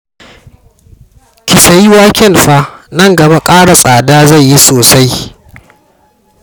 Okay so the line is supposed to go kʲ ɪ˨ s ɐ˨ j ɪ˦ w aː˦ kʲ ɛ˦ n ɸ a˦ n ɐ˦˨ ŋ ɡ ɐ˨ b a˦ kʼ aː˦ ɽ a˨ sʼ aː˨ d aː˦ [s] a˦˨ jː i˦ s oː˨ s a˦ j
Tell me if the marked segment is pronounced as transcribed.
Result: no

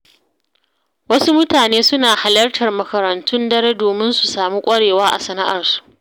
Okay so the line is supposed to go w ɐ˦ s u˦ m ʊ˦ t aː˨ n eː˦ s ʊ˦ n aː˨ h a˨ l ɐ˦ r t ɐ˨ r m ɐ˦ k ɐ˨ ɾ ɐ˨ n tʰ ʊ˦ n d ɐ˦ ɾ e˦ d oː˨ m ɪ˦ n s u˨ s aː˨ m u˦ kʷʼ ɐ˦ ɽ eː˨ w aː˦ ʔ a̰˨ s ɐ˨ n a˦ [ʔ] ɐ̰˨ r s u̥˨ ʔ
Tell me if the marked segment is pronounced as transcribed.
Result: yes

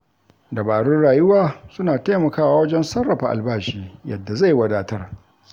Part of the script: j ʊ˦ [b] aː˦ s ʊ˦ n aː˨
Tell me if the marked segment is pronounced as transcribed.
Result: no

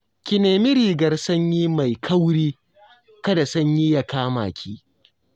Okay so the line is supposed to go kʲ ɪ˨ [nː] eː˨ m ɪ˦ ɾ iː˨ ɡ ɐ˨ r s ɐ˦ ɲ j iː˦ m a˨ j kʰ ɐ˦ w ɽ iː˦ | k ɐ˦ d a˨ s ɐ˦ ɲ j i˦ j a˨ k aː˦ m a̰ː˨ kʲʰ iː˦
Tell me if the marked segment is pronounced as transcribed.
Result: no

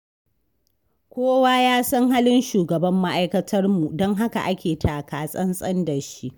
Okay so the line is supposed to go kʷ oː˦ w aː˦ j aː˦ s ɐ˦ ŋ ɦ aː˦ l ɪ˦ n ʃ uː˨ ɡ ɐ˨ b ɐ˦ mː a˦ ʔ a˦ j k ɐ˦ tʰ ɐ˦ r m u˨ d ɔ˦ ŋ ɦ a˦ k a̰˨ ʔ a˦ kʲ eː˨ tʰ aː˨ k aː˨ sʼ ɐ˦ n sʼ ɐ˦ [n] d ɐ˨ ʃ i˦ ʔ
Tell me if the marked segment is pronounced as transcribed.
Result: yes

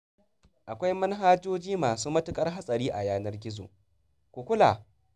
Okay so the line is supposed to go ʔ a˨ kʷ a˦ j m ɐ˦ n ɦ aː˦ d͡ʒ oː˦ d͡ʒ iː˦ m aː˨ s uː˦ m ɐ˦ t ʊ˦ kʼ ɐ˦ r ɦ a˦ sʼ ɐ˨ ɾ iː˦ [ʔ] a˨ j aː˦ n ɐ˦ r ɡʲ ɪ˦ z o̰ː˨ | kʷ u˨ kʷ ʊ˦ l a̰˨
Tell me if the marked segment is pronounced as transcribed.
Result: yes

